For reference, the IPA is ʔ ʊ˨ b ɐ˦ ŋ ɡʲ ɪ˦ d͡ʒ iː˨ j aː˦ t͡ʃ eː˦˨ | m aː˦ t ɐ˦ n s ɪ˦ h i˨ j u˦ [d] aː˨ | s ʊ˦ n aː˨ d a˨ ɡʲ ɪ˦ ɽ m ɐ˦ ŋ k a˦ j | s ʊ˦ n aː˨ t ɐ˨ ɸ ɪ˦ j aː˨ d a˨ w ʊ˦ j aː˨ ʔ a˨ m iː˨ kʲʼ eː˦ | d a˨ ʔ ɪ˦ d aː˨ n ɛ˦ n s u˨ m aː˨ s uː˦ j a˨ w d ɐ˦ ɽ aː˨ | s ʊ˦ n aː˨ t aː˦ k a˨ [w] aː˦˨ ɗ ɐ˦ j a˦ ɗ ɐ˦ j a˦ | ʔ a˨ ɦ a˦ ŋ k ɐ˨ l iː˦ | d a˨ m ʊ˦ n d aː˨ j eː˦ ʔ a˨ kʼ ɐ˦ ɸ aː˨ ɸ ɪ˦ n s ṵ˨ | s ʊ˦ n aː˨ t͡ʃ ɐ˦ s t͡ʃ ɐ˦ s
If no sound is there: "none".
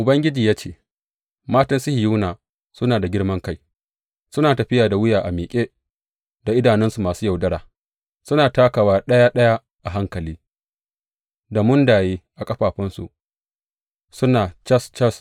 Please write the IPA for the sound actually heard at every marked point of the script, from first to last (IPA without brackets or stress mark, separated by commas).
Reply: n, w